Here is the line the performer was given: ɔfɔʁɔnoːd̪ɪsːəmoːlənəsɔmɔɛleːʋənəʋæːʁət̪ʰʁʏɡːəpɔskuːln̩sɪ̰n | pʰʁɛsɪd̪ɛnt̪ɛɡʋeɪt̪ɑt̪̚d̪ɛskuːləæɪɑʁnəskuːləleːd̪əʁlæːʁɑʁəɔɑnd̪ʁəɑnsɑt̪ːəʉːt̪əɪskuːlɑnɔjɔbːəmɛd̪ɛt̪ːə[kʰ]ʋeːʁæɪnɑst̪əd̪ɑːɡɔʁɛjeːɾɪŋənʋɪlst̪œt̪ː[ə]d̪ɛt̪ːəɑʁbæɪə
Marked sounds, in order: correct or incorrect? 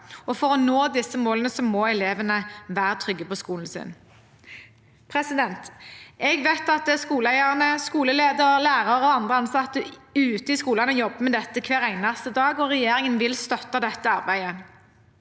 correct, incorrect: ɑ

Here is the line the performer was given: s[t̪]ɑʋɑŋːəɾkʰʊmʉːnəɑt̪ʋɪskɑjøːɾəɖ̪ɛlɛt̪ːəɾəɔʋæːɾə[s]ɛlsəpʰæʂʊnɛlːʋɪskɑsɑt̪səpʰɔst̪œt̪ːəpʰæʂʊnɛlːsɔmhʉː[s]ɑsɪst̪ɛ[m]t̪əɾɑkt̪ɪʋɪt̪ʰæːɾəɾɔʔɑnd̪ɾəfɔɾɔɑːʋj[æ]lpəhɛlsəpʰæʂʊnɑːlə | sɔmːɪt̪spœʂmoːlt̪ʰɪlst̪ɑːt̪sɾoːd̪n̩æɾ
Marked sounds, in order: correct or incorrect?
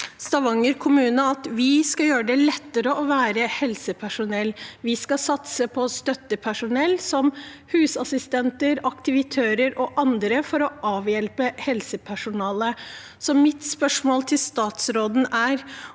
correct, incorrect: h, correct, incorrect: n, incorrect: ɛ

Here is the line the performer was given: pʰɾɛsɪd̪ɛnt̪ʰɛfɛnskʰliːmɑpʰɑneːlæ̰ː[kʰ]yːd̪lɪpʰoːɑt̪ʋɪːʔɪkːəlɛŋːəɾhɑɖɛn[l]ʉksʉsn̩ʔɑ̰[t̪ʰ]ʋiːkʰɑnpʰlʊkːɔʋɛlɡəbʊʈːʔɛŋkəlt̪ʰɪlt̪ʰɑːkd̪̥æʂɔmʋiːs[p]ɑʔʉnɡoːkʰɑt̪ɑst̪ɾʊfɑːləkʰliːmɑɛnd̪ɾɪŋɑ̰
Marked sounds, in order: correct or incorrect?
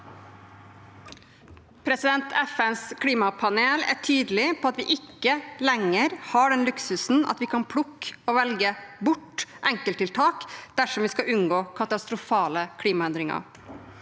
incorrect: ʈʰ, correct, incorrect: t̪, incorrect: k

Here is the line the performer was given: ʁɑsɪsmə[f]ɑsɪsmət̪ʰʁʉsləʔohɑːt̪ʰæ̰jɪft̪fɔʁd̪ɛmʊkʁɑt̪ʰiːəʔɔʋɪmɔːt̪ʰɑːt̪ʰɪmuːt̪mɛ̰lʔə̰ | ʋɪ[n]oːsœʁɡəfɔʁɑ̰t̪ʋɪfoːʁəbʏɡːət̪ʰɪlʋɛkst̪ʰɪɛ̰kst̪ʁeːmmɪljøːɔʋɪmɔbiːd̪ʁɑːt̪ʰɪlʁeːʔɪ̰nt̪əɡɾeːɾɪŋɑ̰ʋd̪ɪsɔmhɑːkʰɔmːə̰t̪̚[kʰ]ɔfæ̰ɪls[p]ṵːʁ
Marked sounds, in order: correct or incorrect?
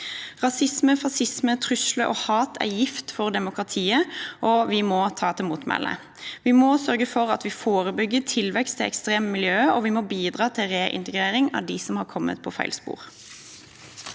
correct, incorrect: m, incorrect: pʰ, correct

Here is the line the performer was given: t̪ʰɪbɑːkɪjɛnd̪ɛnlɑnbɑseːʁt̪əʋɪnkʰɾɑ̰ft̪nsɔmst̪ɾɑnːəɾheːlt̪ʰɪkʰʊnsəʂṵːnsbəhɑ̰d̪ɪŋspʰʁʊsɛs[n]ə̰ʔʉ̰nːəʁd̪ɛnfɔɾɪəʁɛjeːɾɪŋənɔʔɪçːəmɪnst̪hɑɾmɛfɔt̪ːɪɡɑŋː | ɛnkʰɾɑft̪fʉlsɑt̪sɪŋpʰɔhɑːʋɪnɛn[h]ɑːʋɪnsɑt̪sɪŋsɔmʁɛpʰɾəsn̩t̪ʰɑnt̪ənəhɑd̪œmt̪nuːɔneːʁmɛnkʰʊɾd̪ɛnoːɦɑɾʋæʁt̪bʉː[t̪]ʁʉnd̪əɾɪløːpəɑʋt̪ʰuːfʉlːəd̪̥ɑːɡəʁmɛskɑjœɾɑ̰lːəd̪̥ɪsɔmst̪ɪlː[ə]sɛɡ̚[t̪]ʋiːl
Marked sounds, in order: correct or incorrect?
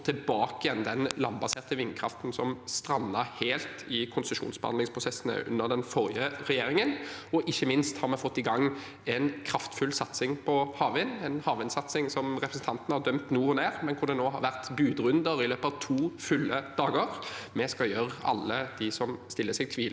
correct, correct, incorrect: d̪, correct, incorrect: t̪ʰ

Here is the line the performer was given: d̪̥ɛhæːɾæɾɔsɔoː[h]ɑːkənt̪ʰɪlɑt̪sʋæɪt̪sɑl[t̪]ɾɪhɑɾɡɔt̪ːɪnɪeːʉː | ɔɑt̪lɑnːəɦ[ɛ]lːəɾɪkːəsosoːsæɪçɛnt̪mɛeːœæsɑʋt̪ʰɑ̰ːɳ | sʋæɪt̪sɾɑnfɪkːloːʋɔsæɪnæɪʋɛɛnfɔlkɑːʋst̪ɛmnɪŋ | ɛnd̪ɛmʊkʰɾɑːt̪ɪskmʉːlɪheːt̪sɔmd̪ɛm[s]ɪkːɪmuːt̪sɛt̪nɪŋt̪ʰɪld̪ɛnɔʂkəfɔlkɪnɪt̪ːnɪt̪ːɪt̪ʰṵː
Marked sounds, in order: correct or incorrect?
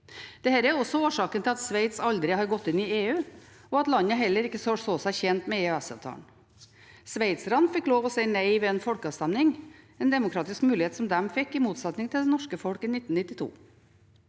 incorrect: ʂ, incorrect: d̪, correct, incorrect: f

